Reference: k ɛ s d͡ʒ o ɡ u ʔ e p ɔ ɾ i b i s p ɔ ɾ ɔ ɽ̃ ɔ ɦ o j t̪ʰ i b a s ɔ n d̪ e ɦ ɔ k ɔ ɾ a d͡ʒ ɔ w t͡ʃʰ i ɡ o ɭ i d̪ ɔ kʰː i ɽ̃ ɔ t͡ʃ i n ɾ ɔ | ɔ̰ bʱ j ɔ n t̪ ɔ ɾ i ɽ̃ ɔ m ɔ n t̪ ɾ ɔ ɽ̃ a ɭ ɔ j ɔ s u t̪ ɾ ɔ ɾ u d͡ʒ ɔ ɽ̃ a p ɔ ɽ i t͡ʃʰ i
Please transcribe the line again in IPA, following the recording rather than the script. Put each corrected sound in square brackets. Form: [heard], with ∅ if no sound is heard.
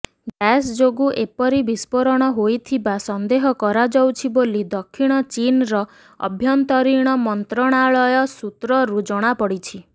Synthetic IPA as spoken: [ɡ] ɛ s d͡ʒ o ɡ u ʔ e p ɔ ɾ i b i s p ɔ ɾ ɔ ɽ̃ ɔ ɦ o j t̪ʰ i b a s ɔ n d̪ e ɦ ɔ k ɔ ɾ a d͡ʒ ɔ w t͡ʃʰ i [b] o [l] i d̪ ɔ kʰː i ɽ̃ ɔ t͡ʃ i n ɾ ɔ | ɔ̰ bʱ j ɔ n t̪ ɔ ɾ i ɽ̃ ɔ m ɔ n t̪ ɾ ɔ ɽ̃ a ɭ ɔ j ɔ s u t̪ ɾ ɔ ɾ u d͡ʒ ɔ ɽ̃ a p ɔ ɽ i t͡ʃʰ i

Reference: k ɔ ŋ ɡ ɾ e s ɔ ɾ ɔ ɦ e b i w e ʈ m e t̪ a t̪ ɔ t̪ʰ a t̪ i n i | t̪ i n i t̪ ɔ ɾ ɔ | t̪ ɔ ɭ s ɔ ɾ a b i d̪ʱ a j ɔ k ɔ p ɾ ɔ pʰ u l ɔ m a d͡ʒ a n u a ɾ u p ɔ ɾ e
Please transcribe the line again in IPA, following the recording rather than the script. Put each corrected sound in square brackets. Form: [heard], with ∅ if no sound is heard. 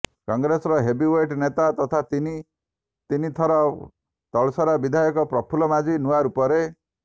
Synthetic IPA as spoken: k ɔ ŋ ɡ ɾ e s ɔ ɾ ɔ ɦ e b i w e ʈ [n] e t̪ a t̪ ɔ t̪ʰ a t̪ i n i | t̪ i n i [t̪ʰ] ɔ ɾ ɔ | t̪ ɔ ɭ s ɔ ɾ a b i d̪ʱ a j ɔ k ɔ p ɾ ɔ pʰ u l ɔ m a d͡ʒ [i] n u a ɾ u p ɔ ɾ e

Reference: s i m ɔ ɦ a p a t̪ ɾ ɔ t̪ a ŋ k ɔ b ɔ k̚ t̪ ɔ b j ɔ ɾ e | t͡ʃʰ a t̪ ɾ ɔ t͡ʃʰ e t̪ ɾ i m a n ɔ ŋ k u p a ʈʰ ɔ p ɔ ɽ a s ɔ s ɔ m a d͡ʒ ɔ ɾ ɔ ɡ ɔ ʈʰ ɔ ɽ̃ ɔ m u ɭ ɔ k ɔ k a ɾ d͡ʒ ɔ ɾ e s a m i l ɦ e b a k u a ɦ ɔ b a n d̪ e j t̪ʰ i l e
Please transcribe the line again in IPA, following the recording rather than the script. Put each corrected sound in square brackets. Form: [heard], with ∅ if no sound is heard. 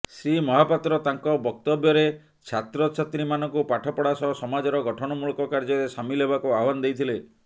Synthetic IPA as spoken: s i m ɔ ɦ a p a t̪ ɾ ɔ t̪ a ŋ k ɔ b ɔ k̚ t̪ ɔ b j ɔ ɾ e | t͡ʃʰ a t̪ ɾ ɔ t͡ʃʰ [a] t̪ ɾ i m a n ɔ ŋ k u p a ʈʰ ɔ p ɔ ɽ a s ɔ s ɔ m a d͡ʒ ɔ ɾ ɔ ɡ ɔ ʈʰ ɔ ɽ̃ ɔ m u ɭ ɔ k ɔ k a ɾ d͡ʒ ɔ ɾ e s a m i l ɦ e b a k u a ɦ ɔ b a n d̪ e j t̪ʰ i l e

